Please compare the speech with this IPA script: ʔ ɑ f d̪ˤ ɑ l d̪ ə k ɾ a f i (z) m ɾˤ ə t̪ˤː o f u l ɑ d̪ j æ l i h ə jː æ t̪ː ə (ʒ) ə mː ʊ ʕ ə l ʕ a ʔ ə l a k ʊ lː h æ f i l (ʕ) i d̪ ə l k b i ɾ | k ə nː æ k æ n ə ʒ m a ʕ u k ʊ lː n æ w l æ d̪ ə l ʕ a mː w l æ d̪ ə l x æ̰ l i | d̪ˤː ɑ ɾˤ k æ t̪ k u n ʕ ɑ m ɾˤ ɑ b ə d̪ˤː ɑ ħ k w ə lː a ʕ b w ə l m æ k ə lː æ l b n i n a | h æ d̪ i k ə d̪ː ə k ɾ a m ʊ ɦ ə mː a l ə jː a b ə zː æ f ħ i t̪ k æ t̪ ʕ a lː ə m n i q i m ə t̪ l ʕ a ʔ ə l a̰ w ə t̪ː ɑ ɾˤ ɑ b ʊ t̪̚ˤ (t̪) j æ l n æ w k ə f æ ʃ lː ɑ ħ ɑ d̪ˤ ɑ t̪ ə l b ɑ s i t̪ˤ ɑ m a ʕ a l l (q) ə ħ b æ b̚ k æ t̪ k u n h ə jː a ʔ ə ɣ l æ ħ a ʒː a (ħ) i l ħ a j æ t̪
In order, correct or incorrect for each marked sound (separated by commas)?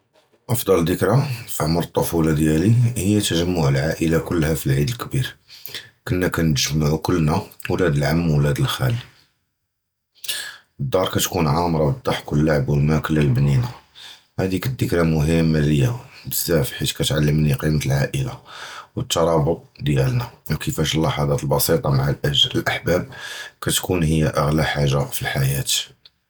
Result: incorrect, correct, correct, incorrect, incorrect, incorrect